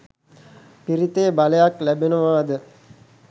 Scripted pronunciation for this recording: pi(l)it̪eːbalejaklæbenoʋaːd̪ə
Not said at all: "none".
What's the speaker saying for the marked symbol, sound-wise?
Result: ɾ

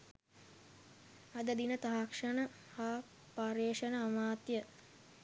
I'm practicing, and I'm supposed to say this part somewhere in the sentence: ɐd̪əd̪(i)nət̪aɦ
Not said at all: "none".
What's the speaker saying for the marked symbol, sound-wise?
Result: i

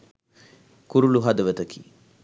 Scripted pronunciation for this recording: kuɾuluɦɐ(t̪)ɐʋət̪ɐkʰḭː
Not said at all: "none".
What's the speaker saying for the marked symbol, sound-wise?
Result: d̪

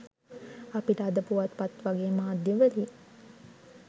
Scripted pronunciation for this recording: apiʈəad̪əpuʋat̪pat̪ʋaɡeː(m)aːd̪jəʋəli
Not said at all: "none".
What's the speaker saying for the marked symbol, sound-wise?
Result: m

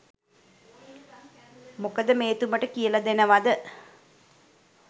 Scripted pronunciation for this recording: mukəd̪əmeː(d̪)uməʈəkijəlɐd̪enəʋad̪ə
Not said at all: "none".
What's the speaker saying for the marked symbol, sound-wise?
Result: t̪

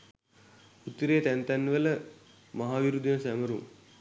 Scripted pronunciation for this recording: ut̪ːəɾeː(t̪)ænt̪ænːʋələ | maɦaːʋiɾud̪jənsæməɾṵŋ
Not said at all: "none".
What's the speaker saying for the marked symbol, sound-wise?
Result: t̪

